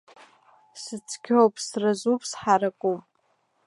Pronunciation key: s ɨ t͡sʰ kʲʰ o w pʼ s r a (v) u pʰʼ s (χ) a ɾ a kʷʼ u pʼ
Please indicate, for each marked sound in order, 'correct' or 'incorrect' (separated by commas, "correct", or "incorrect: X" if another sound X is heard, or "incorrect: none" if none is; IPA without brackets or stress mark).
incorrect: z, incorrect: ħ